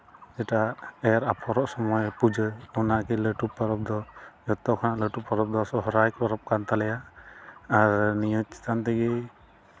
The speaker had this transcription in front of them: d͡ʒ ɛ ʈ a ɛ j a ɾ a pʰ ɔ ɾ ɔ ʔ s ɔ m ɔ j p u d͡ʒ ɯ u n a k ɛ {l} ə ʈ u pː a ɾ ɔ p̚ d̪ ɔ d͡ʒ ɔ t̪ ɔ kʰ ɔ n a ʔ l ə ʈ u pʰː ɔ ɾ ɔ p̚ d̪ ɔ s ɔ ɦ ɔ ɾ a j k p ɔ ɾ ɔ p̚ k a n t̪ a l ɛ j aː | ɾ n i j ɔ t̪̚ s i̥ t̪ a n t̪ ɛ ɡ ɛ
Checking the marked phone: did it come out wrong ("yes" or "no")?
no